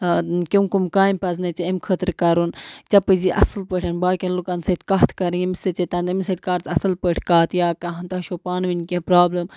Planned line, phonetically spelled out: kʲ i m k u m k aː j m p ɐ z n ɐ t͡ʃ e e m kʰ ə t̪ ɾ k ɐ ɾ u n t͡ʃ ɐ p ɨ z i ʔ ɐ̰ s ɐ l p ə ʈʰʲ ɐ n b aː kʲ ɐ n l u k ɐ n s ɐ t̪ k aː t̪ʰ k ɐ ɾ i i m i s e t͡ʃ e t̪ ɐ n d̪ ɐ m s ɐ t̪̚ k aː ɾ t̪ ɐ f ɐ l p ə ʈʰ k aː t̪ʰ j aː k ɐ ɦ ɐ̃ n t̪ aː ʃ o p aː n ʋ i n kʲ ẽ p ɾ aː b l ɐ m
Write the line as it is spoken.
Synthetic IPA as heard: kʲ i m k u m k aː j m p ɐ z n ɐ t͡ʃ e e m kʰ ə t̪ ɾ k ɐ ɾ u n t͡ʃ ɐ p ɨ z i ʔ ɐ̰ s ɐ l p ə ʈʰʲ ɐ n b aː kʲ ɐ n l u k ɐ n s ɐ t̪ k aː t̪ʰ k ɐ ɾ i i m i s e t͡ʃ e t̪ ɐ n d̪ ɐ m s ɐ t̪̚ k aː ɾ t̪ ɐ s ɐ l p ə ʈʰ k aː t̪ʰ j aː k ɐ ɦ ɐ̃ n t̪ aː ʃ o p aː n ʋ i n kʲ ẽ p ɾ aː b l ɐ m

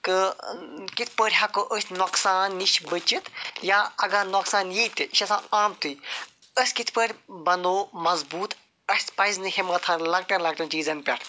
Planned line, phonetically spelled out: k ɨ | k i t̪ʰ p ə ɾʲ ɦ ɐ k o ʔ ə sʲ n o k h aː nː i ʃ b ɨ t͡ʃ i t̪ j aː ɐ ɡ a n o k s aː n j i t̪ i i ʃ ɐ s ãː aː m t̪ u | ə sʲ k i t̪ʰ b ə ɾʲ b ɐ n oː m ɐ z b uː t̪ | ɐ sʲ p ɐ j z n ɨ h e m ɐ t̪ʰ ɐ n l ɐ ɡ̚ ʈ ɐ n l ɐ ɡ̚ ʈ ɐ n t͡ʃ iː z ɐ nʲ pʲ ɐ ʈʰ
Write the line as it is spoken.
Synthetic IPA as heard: k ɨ | k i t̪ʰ p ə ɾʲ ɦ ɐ k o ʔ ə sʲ n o k s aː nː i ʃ b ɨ t͡ʃ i t̪ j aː ɐ ɡ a n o k s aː n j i t̪ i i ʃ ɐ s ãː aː m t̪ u | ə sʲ k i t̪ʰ p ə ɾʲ b ɐ n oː m ɐ z b uː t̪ | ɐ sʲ p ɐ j z n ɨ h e m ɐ t̪ʰ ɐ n l ɐ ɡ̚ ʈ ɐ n l ɐ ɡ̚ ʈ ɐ n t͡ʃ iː z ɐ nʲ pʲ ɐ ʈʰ

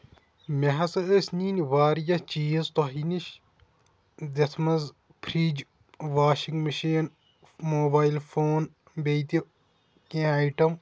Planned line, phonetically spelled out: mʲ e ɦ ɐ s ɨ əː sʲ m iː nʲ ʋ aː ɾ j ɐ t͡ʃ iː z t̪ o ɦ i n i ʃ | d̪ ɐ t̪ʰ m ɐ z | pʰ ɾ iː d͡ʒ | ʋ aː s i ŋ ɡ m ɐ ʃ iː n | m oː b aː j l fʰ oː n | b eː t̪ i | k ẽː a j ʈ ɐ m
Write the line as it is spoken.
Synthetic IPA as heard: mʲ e ɦ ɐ s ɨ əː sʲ n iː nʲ ʋ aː ɾ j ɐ t͡ʃ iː z t̪ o ɦ i n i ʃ | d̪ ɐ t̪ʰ m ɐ z | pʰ ɾ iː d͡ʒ | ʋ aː ʃ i ŋ ɡ m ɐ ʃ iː n | m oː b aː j l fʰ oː n | b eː t̪ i | k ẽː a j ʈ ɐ m

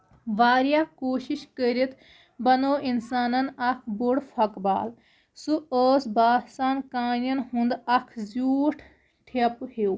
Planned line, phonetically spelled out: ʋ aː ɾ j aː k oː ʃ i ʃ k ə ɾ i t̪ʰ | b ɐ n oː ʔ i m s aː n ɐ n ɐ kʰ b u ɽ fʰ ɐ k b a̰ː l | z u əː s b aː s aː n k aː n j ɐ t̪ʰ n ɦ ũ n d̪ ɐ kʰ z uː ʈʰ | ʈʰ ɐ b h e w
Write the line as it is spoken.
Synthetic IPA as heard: ʋ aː ɾ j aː k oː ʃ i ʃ k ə ɾ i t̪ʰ | b ɐ n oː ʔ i n s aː n ɐ n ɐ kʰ b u ɽ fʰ ɐ k b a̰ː l | s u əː s b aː s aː n k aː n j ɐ n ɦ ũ n d̪ ɐ kʰ z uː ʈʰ | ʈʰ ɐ p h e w

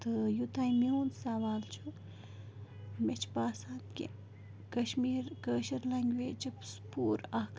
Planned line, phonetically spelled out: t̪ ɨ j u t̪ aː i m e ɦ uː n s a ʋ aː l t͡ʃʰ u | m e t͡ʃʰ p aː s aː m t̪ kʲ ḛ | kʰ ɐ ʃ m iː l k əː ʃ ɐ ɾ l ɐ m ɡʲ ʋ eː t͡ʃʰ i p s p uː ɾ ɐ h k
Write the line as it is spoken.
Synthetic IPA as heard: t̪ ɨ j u t̪ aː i m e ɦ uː n s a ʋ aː l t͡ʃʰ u | m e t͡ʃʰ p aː s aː n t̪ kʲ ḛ | k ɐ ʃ m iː ɾ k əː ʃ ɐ ɾ l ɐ ŋ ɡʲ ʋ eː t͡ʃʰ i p s p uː ɾ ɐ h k

